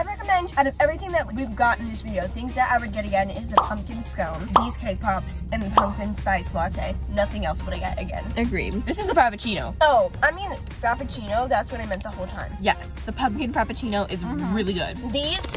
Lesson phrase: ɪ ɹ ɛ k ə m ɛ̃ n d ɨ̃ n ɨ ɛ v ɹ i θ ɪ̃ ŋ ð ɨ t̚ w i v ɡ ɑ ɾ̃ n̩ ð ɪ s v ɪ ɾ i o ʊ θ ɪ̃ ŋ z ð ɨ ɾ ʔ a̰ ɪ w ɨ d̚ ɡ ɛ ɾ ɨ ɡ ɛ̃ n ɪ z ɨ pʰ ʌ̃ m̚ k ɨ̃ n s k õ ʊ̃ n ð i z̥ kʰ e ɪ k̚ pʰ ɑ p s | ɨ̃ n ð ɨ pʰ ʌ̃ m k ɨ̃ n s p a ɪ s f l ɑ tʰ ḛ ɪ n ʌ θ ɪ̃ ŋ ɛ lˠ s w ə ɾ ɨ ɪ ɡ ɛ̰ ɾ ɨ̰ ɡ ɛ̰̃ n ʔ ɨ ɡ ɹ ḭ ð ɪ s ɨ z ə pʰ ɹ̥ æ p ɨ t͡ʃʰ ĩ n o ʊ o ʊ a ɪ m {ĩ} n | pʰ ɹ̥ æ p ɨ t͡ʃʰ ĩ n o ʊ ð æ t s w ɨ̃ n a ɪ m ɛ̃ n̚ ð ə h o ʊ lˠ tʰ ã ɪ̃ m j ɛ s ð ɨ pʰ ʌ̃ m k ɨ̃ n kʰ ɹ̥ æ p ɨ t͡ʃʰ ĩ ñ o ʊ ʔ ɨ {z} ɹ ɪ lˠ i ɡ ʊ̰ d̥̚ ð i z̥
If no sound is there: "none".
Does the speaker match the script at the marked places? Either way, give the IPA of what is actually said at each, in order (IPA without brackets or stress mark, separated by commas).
ĩ, z